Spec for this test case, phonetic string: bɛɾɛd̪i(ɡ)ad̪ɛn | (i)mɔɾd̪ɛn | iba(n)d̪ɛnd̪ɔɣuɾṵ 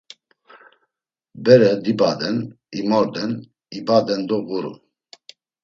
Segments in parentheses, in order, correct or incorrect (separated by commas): incorrect, correct, incorrect